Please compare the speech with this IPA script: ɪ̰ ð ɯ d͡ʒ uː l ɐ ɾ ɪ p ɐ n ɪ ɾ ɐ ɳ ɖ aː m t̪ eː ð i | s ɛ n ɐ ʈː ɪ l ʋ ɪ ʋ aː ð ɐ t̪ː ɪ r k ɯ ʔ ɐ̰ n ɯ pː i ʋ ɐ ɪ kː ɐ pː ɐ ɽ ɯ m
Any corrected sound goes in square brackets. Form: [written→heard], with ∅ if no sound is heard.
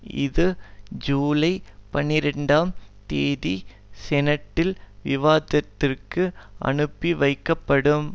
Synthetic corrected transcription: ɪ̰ ð ɯ d͡ʒ uː l ɐ [ɾ→∅] ɪ p ɐ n ɪ ɾ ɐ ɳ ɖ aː m t̪ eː ð i | s ɛ n ɐ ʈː ɪ l ʋ ɪ ʋ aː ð ɐ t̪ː ɪ r k ɯ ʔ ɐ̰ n ɯ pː i ʋ ɐ ɪ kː ɐ pː ɐ ɽ ɯ m

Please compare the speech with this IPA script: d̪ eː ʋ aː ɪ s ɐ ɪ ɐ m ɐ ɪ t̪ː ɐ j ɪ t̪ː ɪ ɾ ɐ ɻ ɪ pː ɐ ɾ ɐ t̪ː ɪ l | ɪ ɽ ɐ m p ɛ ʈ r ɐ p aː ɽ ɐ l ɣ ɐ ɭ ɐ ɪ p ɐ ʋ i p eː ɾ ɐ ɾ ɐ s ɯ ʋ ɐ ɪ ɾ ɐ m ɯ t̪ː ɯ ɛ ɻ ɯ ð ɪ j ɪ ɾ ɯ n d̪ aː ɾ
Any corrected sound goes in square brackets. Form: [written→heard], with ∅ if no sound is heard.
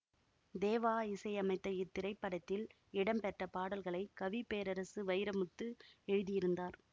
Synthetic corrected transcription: d̪ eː ʋ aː ɪ s ɐ ɪ ɐ m ɐ ɪ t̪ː ɐ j ɪ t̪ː ɪ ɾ ɐ [ɻ→∅] ɪ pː ɐ [ɾ→ɽ] ɐ t̪ː ɪ l | ɪ ɽ ɐ m p ɛ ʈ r ɐ p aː ɽ ɐ l ɣ ɐ ɭ ɐ ɪ [p→k] ɐ ʋ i p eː ɾ ɐ ɾ ɐ s ɯ ʋ ɐ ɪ ɾ ɐ m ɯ t̪ː ɯ ɛ ɻ ɯ ð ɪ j ɪ ɾ ɯ n d̪ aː ɾ

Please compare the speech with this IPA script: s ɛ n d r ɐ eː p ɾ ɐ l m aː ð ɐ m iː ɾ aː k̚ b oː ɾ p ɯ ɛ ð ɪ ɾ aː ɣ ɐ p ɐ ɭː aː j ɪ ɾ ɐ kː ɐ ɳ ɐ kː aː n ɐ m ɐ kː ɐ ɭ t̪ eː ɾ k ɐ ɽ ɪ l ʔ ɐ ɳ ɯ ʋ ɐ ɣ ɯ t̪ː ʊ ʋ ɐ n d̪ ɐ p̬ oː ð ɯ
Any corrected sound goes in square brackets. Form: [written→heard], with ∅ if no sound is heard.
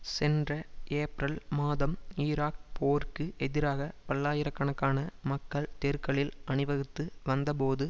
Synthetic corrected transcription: s ɛ n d r ɐ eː p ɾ ɐ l m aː ð ɐ m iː ɾ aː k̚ [b→p] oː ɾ [p→k] ɯ ɛ ð ɪ ɾ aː ɣ ɐ p ɐ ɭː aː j ɪ ɾ ɐ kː ɐ ɳ ɐ kː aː n ɐ m ɐ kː ɐ ɭ t̪ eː ɾ k ɐ [ɽ→ɭ] ɪ l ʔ ɐ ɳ ɯ ʋ ɐ ɣ ɯ t̪ː [ʊ→ɯ] ʋ ɐ n d̪ ɐ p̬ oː ð ɯ

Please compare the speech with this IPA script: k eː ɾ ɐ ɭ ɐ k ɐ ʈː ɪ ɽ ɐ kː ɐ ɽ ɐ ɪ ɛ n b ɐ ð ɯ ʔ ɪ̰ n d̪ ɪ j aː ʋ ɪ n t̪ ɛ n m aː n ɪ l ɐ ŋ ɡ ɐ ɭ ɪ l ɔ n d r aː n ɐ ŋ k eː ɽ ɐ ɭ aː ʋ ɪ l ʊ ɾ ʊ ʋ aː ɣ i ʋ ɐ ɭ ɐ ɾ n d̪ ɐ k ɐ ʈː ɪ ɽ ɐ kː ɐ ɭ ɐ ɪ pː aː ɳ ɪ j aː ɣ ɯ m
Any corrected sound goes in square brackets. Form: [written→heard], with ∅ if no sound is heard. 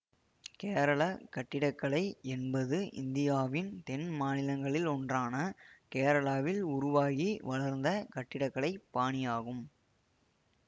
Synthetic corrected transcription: k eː ɾ ɐ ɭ ɐ k ɐ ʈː ɪ ɽ ɐ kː ɐ [ɽ→ɭ] ɐ ɪ ɛ n b ɐ ð ɯ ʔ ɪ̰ n d̪ ɪ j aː ʋ ɪ n t̪ ɛ n m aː n ɪ l ɐ ŋ ɡ ɐ ɭ ɪ l ɔ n d r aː n ɐ [ŋ→∅] k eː [ɽ→ɾ] ɐ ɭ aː ʋ ɪ l ʊ ɾ ʊ ʋ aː ɣ i ʋ ɐ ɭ ɐ ɾ n d̪ ɐ k ɐ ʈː ɪ ɽ ɐ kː ɐ ɭ ɐ ɪ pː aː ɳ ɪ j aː ɣ ɯ m

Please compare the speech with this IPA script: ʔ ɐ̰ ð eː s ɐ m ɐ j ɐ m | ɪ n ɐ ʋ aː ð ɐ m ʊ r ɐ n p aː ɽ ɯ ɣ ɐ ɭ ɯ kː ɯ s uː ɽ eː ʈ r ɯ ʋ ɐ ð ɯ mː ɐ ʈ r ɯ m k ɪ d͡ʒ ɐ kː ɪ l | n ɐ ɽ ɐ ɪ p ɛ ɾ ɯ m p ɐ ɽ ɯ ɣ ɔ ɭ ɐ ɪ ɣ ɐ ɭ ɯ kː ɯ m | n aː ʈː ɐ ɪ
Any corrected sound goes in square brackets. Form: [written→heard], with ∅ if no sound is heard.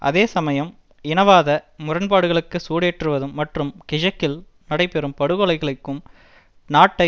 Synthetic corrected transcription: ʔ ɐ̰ ð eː s ɐ m ɐ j ɐ m | ɪ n ɐ ʋ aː ð ɐ m ʊ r ɐ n p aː ɽ ɯ ɣ ɐ ɭ ɯ kː ɯ s uː ɽ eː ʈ r ɯ ʋ ɐ ð ɯ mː ɐ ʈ r ɯ m k ɪ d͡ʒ ɐ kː ɪ l | n ɐ ɽ ɐ ɪ p ɛ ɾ ɯ m p ɐ ɽ ɯ ɣ ɔ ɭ ɐ ɪ ɣ ɐ ɭ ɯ kː ɯ m | n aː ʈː ɐ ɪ

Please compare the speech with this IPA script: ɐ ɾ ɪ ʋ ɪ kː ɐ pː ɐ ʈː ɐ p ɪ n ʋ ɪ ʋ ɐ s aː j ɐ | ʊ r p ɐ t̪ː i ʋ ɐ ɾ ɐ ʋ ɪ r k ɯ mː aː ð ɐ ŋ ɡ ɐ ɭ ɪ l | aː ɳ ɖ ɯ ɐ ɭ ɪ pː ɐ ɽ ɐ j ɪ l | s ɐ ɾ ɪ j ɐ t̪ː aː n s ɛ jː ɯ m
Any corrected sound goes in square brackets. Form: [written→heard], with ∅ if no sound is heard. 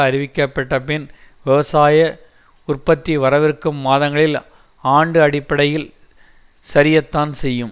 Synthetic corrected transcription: ɐ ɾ ɪ ʋ ɪ kː ɐ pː ɐ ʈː ɐ p ɪ n ʋ ɪ ʋ ɐ s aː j ɐ | ʊ r p ɐ t̪ː i ʋ ɐ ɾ ɐ ʋ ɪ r k ɯ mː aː ð ɐ ŋ ɡ ɐ ɭ ɪ l | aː ɳ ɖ ɯ ɐ [ɭ→ɽ] ɪ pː ɐ ɽ ɐ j ɪ l | s ɐ ɾ ɪ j ɐ t̪ː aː n s ɛ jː ɯ m

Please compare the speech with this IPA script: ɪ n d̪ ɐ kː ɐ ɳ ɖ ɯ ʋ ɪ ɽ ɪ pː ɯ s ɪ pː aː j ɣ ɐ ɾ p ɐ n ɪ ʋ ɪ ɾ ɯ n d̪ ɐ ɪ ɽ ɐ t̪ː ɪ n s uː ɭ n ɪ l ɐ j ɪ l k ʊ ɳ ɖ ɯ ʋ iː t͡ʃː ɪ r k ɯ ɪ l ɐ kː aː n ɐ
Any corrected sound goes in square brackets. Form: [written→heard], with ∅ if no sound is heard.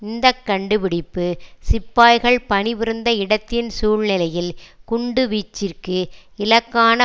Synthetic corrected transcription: ɪ n d̪ ɐ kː ɐ ɳ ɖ ɯ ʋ ɪ ɽ ɪ pː ɯ s ɪ pː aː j ɣ ɐ [ɾ→ɭ] p ɐ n ɪ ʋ ɪ ɾ ɯ n d̪ ɐ ɪ ɽ ɐ t̪ː ɪ n s uː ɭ n ɪ l ɐ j ɪ l k ʊ ɳ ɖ ɯ ʋ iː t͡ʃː ɪ r k ɯ ɪ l ɐ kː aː n ɐ

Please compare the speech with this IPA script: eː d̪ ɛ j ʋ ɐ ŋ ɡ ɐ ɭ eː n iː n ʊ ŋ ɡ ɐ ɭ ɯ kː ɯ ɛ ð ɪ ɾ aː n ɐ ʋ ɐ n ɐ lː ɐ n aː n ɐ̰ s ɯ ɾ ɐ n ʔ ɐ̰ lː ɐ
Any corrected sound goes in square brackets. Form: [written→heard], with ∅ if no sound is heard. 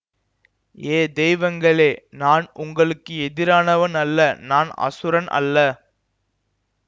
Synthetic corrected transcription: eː d̪ ɛ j ʋ ɐ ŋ ɡ ɐ ɭ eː n [iː→aː] n ʊ ŋ ɡ ɐ ɭ ɯ kː ɯ ɛ ð ɪ ɾ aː n ɐ ʋ ɐ n ɐ lː ɐ n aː n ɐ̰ s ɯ ɾ ɐ n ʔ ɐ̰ lː ɐ

